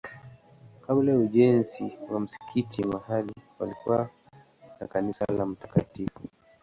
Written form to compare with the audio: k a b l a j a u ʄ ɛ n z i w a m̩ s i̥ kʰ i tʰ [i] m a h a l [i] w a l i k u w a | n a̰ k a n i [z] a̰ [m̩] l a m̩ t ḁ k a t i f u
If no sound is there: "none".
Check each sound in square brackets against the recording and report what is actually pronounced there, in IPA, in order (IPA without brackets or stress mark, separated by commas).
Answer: i, i, s, none